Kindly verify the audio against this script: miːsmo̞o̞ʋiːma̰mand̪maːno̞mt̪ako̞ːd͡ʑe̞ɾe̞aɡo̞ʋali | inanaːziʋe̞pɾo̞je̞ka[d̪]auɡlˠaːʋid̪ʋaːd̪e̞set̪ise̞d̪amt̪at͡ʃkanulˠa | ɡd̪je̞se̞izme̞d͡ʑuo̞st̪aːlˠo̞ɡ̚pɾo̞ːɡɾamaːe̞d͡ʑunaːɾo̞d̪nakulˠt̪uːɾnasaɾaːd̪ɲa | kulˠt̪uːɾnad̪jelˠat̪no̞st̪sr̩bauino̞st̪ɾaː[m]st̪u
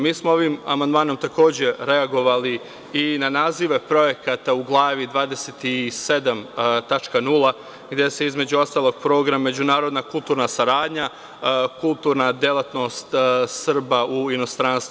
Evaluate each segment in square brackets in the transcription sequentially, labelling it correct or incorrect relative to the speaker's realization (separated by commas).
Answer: incorrect, incorrect